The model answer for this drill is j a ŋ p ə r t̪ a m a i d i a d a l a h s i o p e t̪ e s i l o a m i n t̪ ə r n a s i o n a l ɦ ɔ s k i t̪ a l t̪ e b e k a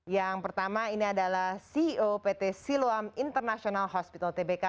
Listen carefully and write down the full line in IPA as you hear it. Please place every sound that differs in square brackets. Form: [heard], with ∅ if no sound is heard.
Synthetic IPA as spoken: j a ŋ p ə r t̪ a m a i [n] i a d a l a h s i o p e t̪ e s i l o a m i n t̪ ə r n a s i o n a l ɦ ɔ s [p] i t̪ a l t̪ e b e k a